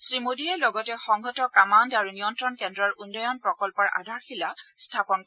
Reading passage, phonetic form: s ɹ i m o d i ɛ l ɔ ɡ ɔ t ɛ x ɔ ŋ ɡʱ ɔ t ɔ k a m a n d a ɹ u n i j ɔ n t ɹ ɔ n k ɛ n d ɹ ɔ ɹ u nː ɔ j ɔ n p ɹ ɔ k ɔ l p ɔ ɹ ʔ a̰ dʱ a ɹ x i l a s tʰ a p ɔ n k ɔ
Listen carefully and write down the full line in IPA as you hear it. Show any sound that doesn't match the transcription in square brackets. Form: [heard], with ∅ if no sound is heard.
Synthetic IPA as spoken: s ɹ i m o d i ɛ l ɔ ɡ ɔ t ɛ x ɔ ŋ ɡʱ ɔ t ɔ k a m a n d a ɹ u n i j ɔ n t ɹ ɔ n k ɛ n d ɹ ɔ ɹ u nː ɔ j ɔ n p ɹ ɔ k ɔ l p ɔ ɹ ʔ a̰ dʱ a ɹ x i l a s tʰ a p ɔ n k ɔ